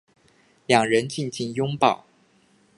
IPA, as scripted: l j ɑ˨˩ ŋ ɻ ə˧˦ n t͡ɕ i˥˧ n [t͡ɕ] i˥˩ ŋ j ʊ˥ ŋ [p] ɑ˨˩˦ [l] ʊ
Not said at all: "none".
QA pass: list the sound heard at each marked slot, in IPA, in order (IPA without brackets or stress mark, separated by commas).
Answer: t͡ɕ, p, none